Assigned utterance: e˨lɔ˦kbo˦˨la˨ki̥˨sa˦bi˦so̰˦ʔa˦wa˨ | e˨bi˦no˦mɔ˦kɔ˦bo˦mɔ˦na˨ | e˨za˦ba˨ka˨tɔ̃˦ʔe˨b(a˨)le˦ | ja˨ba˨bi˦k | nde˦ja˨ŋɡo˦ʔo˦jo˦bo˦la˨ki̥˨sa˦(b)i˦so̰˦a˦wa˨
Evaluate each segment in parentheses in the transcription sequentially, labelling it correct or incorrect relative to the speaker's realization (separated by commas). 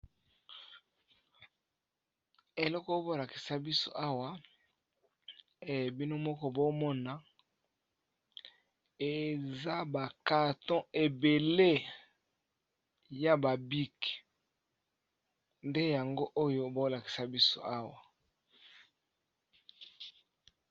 incorrect, correct